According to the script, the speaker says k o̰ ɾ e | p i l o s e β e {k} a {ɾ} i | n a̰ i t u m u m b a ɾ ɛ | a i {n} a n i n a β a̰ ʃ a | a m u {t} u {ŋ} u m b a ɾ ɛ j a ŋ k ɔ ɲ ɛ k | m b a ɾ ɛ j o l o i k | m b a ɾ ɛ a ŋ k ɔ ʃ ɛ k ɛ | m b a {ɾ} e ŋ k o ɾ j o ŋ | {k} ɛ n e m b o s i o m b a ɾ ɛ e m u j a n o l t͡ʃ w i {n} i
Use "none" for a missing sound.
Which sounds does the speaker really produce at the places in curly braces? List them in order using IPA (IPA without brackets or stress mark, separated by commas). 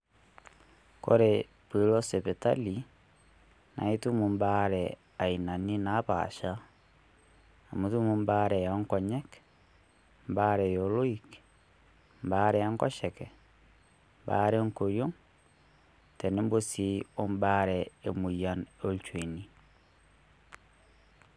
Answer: t, l, n, t, m, ɾ, t, n